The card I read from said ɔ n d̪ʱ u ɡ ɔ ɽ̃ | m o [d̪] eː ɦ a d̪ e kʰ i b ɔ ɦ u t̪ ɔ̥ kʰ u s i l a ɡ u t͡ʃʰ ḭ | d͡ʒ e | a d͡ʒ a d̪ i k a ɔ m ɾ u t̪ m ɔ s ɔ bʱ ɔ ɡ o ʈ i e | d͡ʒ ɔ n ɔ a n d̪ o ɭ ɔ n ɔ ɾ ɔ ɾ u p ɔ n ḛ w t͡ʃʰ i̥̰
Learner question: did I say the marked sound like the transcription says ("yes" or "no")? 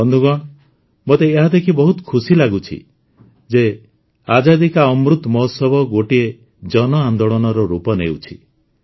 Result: no